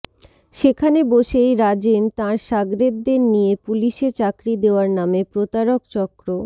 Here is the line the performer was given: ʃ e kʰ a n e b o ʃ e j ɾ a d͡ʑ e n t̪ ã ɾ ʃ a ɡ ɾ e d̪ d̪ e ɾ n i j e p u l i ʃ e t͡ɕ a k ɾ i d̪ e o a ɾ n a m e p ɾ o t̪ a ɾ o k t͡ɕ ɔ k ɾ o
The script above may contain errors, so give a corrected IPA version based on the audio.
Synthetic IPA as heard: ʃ e kʰ a n e b o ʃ e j ɾ a d͡ʑ e n t̪ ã ɾ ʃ a ɡ ɾ e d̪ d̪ e ɾ n i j e p u l i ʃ e t͡ɕ a k ɾ i d̪ e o a ɾ n a m e p ɾ o t̪ a ɾ o k t͡ɕ ɔ k ɾ o